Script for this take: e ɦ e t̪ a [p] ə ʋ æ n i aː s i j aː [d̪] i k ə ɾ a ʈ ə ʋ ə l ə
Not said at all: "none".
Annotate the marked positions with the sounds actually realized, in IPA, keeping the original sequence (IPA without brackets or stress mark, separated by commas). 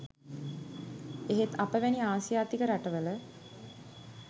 p, t̪